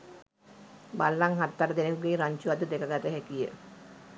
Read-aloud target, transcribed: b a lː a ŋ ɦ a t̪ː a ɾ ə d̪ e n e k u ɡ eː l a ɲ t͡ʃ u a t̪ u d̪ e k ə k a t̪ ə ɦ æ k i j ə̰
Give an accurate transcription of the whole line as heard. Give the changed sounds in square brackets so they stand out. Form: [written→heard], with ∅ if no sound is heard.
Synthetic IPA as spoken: b a lː a ŋ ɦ a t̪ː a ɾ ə d̪ e n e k u ɡ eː [l→ɾ] a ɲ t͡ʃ u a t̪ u d̪ e k ə [k→ɡ] a t̪ ə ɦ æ k i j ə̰